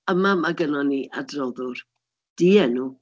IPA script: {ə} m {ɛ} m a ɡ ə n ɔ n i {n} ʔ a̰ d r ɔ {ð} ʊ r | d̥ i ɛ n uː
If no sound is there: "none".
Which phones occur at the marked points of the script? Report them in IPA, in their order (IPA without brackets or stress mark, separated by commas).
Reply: ə, a, none, ð